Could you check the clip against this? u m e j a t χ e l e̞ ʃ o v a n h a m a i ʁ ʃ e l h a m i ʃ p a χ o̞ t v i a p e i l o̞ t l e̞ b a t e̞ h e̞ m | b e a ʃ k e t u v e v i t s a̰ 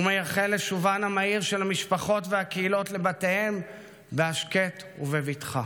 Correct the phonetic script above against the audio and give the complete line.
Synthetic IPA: u m e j a χ e l e̞ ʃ u v a n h a m a i ʁ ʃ e l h a m i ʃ p a χ o̞ t v e a k e i l o̞ t l e̞ b a t e̞ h e̞ m | b e a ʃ k e t u v e v i t χ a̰